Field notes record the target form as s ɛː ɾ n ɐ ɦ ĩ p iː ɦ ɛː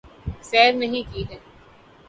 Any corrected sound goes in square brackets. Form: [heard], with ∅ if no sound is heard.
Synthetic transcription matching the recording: s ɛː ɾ n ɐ ɦ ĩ [k] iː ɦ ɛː